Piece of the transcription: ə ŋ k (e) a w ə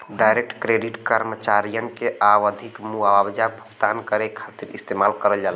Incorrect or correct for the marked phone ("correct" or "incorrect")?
correct